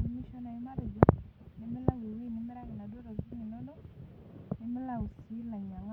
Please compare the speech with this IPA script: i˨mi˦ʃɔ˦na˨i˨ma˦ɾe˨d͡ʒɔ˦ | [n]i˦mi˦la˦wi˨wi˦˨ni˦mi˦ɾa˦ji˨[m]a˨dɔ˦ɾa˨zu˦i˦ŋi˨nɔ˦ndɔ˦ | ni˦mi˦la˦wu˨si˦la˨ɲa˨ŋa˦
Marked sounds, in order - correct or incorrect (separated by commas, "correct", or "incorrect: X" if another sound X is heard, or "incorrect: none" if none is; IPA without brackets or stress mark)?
correct, incorrect: n